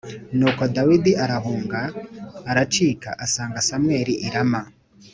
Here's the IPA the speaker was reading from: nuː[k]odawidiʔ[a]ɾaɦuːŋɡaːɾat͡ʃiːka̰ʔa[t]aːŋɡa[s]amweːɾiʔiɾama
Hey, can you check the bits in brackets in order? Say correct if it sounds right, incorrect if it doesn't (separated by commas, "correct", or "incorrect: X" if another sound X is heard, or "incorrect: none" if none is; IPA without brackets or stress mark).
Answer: correct, correct, incorrect: s, correct